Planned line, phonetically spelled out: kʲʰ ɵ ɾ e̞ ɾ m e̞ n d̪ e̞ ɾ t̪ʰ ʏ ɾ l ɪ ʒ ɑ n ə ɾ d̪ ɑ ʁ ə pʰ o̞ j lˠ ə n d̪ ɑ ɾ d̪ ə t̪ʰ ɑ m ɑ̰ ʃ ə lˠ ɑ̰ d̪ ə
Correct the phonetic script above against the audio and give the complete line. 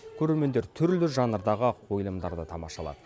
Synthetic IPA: kʲʰ ɵ ɾ e̞ ɾ m e̞ n d̪ e̞ ɾ t̪ʰ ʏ ɾ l ɪ ʒ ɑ n ə ɾ d̪ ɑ ʁ ə qʰ o̞ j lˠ ə m d̪ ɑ ɾ d̪ ə t̪ʰ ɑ m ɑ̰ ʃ ɑ lˠ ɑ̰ d̪ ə